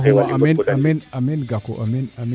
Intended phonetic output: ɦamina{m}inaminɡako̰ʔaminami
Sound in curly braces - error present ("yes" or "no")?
no